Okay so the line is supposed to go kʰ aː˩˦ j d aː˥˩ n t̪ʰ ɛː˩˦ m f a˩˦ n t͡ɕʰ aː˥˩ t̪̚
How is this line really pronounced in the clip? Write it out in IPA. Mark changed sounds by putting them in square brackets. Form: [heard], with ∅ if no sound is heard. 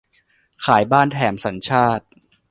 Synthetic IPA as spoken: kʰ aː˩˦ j [b] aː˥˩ n t̪ʰ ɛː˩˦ m [s] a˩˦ n t͡ɕʰ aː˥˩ t̪̚